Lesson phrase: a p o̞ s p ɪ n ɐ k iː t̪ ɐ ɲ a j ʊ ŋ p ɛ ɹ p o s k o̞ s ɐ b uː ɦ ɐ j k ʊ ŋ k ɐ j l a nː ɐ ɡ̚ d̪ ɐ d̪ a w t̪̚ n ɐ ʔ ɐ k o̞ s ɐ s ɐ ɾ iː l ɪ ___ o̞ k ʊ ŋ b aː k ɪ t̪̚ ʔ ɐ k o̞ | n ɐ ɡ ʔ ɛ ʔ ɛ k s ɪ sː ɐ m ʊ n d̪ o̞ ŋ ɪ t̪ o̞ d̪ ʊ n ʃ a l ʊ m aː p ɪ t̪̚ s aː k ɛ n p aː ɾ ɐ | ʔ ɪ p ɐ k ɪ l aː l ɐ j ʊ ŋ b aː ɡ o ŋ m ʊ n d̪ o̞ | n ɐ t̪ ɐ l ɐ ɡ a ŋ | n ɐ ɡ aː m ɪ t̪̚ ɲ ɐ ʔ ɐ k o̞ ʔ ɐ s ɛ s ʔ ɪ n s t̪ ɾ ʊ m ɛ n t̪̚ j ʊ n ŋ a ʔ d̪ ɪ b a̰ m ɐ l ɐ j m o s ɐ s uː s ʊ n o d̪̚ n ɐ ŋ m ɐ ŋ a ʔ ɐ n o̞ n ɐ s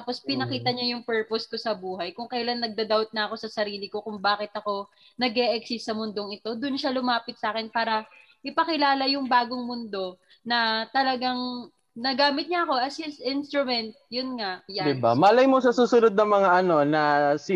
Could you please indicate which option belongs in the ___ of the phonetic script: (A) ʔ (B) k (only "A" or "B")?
B